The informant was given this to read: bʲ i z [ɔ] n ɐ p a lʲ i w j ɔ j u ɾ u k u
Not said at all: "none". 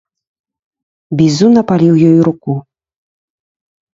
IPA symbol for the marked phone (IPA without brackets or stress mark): u